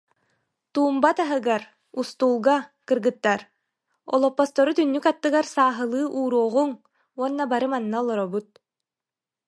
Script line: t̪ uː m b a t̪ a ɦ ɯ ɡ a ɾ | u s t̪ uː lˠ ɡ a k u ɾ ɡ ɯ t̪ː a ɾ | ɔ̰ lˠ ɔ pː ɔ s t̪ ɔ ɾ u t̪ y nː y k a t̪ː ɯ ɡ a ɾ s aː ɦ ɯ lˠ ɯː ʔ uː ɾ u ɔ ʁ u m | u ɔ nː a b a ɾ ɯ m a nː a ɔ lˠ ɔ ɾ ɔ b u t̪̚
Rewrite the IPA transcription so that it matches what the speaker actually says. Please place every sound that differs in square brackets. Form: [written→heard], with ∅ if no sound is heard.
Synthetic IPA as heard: t̪ uː m b a t̪ a ɦ ɯ ɡ a ɾ | u s t̪ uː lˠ ɡ a k [u→ɯ] ɾ ɡ ɯ t̪ː a ɾ | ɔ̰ lˠ ɔ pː ɔ s t̪ ɔ ɾ u t̪ y nː y k a t̪ː ɯ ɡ a ɾ s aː ɦ ɯ lˠ ɯː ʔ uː ɾ u ɔ ʁ u [m→ŋ] | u ɔ nː a b a ɾ ɯ m a nː a ɔ lˠ ɔ ɾ ɔ b u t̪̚